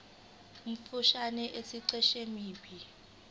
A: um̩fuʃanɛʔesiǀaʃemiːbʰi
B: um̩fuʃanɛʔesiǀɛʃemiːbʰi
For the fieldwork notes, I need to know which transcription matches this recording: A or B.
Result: B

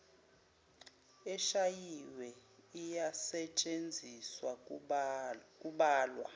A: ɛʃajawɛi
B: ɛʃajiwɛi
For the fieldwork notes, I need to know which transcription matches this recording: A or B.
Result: B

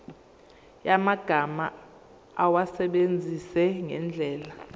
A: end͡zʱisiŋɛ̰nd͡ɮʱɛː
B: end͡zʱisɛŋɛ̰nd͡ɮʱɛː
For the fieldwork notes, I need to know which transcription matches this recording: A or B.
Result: B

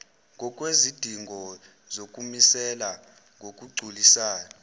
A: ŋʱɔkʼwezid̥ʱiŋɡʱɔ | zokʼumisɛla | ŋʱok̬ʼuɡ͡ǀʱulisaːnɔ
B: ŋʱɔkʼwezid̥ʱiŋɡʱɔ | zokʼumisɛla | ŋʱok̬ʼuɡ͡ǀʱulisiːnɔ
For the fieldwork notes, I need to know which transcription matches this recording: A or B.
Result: A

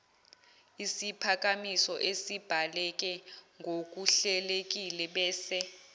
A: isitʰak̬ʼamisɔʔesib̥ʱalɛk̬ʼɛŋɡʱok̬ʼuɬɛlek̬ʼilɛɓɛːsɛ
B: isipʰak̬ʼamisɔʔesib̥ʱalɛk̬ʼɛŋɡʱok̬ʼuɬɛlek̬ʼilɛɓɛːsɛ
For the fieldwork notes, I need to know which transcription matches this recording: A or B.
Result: B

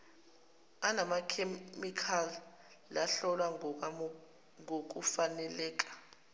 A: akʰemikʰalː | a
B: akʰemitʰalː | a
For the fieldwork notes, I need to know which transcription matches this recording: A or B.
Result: A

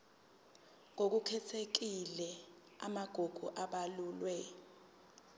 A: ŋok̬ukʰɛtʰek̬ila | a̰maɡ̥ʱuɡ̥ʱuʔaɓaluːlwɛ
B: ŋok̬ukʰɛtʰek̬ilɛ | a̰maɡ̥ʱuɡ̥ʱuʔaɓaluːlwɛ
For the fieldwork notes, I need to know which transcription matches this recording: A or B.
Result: B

